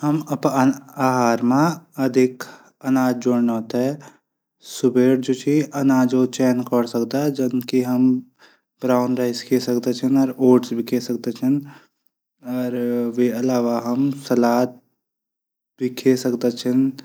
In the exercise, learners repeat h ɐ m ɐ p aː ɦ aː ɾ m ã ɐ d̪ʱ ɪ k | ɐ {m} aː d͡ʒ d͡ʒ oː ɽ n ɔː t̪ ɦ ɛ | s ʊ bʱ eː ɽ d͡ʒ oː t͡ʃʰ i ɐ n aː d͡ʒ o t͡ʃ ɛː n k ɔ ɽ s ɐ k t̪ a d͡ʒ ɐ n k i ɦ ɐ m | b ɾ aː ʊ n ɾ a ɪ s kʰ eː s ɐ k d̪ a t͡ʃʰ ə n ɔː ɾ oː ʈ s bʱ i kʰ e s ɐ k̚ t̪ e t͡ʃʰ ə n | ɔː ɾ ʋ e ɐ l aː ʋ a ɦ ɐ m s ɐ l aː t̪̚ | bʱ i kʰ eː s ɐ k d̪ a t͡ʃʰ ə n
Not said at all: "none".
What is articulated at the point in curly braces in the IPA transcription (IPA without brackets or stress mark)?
n